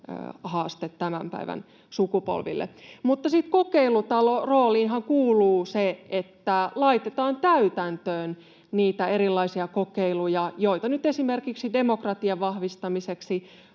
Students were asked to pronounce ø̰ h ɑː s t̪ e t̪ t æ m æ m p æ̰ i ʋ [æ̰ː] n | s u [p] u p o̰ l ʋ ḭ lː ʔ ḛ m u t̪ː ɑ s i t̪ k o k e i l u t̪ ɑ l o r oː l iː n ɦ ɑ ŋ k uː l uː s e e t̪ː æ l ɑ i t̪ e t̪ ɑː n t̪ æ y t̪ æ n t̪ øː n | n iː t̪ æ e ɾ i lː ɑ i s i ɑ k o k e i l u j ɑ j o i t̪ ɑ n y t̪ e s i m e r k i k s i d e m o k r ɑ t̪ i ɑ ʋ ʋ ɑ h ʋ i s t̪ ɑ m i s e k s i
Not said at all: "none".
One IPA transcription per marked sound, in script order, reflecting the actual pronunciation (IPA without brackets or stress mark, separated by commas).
æ̰, k